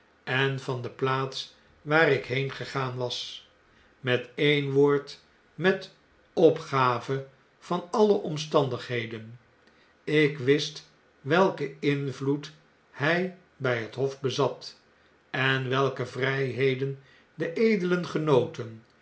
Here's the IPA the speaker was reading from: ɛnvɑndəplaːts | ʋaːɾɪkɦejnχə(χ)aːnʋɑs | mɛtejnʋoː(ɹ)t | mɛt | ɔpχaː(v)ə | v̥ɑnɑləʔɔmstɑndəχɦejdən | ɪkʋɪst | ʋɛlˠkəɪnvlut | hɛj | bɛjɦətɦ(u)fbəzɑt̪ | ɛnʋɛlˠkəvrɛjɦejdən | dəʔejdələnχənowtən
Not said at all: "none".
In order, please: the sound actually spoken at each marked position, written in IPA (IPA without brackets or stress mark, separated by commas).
χ, ɹ, v, ɔ